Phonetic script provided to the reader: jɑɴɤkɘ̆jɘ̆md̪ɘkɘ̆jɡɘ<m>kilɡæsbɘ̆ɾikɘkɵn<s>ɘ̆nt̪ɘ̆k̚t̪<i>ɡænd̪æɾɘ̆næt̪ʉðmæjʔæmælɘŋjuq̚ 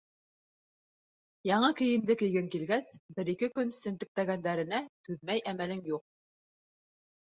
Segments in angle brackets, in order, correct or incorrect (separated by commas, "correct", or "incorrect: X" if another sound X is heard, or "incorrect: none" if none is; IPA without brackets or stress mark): incorrect: ŋ, correct, incorrect: æ